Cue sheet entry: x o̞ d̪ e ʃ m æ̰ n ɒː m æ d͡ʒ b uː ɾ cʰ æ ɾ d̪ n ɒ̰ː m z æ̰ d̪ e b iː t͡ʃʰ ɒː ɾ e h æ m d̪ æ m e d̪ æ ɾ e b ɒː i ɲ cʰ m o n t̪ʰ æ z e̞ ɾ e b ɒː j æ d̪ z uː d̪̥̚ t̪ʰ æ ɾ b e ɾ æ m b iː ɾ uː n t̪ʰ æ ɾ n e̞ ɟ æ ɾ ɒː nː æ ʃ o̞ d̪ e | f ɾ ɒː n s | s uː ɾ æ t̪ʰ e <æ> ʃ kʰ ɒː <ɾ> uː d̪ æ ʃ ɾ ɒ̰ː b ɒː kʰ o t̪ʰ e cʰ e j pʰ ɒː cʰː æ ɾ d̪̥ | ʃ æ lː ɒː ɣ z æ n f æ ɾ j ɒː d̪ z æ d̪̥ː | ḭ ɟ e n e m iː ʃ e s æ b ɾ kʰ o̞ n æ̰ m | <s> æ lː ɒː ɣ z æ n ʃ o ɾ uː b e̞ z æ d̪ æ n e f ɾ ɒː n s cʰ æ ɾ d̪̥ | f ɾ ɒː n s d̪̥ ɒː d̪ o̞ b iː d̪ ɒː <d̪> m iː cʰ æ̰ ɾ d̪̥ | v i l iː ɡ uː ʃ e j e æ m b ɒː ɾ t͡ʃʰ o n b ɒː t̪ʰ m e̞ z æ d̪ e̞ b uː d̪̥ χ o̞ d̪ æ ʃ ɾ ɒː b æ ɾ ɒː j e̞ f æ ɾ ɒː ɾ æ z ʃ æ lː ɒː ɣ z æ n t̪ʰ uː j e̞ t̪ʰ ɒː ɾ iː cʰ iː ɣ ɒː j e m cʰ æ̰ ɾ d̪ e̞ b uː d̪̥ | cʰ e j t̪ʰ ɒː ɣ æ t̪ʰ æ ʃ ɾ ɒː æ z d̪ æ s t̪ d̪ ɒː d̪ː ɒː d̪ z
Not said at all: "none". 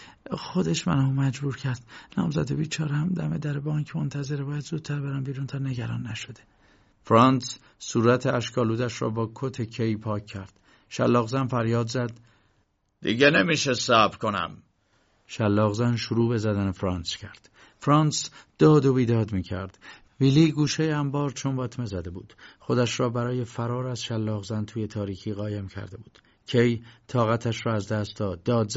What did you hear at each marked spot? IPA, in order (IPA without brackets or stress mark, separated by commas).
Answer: æ, l, ʃ, d̪